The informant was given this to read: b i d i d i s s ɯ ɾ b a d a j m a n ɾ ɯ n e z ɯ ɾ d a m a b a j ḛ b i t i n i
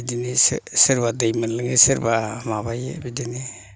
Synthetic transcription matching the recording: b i d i n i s s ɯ ɾ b a d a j m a n l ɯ ŋ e s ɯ ɾ b a m a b a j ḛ b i d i n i